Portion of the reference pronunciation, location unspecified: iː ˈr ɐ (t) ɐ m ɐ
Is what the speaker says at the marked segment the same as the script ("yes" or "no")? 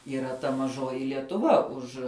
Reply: yes